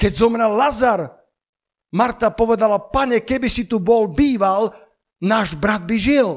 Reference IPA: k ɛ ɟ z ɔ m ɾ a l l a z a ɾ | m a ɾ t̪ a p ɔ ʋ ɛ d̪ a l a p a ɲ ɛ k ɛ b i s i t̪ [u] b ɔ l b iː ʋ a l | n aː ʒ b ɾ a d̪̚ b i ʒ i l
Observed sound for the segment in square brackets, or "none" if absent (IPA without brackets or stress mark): u